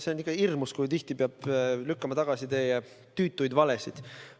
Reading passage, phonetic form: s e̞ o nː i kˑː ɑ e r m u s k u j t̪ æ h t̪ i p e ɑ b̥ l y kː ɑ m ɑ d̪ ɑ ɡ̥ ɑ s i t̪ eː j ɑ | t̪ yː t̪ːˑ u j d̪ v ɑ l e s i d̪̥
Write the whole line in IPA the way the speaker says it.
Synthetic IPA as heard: s e̞ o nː i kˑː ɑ i r m u s k u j t̪ i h t̪ i p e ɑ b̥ l y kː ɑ m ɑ t̪ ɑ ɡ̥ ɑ s i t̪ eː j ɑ | t̪ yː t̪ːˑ u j d̪ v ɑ l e s i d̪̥